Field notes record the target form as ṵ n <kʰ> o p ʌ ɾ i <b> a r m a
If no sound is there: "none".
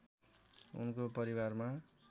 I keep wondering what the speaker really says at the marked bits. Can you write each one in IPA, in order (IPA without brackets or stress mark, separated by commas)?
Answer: k, w